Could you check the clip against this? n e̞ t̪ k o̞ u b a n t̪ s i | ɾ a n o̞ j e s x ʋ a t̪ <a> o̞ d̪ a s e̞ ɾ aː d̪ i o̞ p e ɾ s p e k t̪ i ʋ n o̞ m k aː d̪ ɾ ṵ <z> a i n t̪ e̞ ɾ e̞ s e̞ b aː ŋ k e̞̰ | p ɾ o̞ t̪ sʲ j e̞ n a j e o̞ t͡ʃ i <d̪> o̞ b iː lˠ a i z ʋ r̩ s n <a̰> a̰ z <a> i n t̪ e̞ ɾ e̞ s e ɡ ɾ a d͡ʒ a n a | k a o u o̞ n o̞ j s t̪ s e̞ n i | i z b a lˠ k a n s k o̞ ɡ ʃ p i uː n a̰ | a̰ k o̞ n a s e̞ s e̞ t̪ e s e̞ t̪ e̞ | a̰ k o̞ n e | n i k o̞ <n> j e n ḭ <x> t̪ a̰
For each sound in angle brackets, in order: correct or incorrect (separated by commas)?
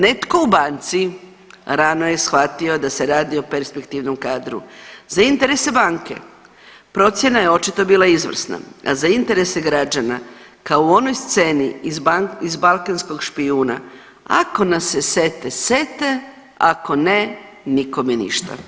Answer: incorrect, correct, incorrect, correct, correct, incorrect, incorrect